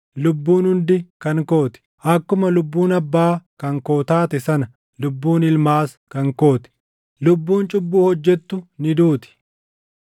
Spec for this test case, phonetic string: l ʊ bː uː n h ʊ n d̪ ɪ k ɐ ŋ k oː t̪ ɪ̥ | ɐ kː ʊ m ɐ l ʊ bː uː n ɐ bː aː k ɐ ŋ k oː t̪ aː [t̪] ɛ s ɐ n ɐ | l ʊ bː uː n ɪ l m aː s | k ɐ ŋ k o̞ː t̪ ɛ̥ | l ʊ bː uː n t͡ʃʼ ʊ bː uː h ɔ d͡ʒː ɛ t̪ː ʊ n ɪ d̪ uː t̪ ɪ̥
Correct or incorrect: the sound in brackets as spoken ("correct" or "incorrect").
correct